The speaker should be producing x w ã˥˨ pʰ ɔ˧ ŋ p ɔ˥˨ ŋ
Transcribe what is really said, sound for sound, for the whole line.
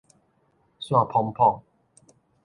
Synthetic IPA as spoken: s w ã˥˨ pʰ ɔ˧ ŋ pʰ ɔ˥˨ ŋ